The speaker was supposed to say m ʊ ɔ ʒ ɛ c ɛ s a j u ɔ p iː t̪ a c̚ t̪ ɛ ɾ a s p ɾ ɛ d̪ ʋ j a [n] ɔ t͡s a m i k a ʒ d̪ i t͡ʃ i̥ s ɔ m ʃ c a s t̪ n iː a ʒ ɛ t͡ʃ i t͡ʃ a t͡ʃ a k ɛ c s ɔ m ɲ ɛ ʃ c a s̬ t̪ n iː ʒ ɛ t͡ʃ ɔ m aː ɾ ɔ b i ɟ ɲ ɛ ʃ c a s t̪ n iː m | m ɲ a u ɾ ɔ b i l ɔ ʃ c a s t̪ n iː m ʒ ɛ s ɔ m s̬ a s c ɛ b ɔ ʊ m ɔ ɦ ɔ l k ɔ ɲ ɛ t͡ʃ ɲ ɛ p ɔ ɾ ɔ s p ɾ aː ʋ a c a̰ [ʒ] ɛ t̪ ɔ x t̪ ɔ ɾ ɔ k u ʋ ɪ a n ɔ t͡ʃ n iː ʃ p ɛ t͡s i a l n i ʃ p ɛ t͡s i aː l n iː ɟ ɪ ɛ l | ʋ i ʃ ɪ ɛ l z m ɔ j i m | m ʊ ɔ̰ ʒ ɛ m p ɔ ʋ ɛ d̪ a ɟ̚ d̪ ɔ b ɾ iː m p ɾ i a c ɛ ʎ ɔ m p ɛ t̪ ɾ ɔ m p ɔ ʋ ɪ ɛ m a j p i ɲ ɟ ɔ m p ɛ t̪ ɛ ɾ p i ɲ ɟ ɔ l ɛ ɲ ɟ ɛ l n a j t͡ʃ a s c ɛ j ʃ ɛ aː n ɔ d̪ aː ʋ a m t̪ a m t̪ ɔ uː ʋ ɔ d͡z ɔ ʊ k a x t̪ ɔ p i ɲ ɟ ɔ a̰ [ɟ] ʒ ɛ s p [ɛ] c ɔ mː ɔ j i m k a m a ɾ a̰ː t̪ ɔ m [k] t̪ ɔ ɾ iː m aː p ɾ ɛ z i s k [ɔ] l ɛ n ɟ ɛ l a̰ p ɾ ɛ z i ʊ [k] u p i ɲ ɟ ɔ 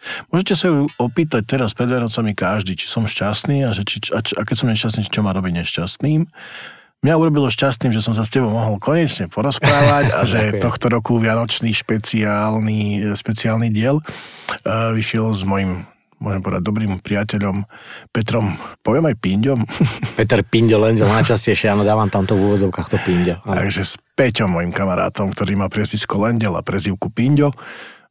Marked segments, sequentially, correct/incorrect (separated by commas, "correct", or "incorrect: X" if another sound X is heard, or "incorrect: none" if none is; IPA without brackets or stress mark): correct, correct, incorrect: ɡ, correct, correct, correct, correct